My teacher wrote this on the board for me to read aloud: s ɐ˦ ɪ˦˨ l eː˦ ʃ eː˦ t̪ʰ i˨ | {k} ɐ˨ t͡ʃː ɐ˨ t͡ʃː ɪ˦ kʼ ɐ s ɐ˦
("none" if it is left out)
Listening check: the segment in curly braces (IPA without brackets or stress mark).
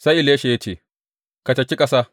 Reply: k